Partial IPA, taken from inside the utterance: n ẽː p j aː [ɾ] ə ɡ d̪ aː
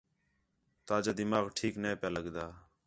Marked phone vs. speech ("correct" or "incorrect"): incorrect